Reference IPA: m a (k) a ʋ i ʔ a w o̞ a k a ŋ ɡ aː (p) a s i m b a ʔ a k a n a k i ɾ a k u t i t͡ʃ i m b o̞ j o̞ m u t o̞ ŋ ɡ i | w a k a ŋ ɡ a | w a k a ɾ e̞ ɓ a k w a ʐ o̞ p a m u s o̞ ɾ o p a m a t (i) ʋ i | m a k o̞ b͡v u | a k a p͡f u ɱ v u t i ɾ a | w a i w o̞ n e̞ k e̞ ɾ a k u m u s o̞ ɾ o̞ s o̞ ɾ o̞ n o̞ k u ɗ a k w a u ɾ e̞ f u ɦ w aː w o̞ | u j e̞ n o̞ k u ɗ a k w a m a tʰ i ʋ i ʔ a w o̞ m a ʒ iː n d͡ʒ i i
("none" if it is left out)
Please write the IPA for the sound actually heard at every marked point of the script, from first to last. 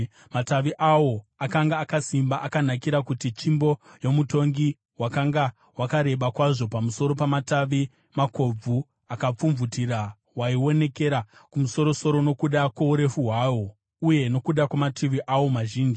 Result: t, k, a

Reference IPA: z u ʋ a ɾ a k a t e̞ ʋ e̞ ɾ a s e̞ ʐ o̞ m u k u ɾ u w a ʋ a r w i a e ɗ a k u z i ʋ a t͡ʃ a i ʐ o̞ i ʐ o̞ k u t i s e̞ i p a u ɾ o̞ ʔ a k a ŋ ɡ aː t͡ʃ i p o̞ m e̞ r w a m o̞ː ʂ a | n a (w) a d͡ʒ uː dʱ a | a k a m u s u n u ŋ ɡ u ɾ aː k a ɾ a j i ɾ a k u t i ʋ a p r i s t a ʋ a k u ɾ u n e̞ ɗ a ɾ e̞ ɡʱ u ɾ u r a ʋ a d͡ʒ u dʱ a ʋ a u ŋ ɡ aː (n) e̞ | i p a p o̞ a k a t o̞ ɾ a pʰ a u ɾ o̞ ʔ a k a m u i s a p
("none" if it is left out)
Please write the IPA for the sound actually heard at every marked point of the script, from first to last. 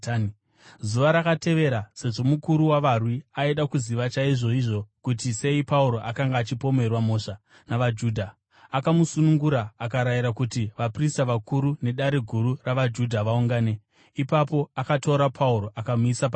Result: ʋ, n

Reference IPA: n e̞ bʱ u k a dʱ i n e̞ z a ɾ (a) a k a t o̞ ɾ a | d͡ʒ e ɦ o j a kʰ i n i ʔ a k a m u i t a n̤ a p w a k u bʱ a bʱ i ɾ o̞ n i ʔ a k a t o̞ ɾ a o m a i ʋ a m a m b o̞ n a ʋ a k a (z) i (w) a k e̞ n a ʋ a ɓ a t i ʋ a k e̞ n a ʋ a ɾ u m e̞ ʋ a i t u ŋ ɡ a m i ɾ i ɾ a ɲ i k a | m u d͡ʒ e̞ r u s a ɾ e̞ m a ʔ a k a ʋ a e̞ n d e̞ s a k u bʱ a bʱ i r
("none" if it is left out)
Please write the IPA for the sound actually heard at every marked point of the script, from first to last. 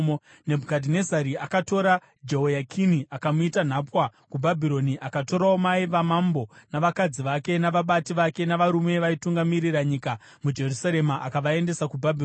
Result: i, d͡z, ʋ

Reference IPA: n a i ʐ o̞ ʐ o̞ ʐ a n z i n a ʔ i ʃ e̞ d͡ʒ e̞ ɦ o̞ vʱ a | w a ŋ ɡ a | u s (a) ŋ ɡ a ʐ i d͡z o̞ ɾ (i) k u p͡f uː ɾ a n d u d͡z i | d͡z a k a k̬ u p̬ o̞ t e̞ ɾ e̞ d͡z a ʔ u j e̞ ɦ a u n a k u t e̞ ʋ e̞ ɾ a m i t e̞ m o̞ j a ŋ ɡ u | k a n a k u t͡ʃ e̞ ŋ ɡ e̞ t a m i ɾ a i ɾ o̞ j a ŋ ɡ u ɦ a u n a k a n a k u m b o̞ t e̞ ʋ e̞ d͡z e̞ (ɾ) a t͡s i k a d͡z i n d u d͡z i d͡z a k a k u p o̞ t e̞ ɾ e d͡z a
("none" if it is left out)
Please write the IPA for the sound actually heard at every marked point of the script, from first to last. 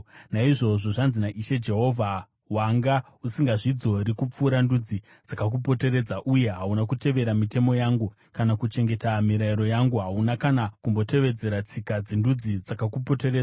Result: i, i, ɾ

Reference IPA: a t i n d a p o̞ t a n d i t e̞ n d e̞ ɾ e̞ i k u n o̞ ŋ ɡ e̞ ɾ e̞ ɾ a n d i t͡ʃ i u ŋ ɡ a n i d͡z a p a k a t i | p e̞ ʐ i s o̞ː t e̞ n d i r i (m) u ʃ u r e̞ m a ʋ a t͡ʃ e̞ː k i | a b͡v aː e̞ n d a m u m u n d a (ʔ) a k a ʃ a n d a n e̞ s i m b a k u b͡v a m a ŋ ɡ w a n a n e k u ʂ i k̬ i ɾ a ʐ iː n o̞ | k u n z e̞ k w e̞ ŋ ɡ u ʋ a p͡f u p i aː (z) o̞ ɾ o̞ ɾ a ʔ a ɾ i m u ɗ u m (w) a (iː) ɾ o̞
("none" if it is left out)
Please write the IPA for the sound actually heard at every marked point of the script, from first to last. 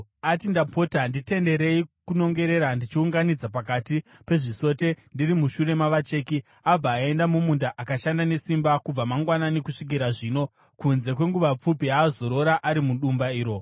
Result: m, ʔ, z, b, iː

